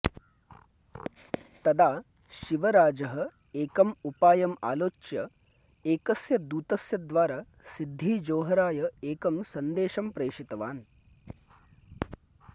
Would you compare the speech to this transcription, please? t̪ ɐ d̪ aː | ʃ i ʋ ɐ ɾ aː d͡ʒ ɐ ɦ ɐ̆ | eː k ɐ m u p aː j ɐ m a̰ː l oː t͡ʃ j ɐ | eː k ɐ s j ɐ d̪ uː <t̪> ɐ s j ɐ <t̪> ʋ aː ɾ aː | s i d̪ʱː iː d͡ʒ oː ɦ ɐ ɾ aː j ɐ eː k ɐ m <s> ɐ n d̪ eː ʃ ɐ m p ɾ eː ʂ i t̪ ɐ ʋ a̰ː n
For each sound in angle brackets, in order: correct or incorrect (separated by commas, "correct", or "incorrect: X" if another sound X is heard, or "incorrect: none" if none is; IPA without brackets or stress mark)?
correct, incorrect: d̪, correct